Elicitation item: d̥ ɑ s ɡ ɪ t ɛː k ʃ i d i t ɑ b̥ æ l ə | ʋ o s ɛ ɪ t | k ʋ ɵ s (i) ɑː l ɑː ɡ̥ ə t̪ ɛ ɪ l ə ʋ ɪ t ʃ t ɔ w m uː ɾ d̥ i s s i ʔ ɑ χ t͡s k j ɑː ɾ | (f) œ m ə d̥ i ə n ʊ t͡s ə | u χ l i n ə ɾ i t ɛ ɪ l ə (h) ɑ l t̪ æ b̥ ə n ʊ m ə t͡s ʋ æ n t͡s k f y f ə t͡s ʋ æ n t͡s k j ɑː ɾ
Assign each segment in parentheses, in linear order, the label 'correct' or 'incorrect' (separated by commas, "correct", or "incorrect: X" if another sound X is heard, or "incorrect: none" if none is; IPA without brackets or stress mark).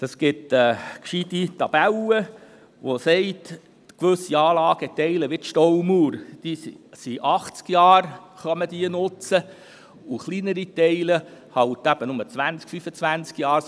correct, incorrect: χ, correct